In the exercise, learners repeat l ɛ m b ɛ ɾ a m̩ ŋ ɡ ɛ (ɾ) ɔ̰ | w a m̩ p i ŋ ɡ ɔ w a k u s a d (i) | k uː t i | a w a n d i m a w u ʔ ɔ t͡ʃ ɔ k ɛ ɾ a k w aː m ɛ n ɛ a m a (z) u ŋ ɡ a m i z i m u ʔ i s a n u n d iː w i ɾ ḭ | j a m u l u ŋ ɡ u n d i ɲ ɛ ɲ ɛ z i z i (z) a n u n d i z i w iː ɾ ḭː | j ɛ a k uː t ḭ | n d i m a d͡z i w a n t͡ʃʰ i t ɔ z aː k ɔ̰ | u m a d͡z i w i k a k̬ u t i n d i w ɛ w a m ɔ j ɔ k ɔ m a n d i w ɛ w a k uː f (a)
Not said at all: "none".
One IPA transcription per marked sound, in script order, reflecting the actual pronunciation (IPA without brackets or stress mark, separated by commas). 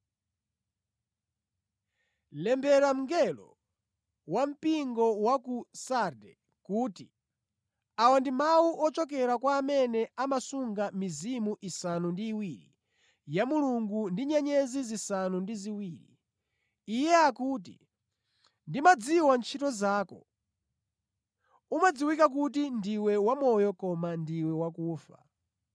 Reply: l, ɛ, s, s, a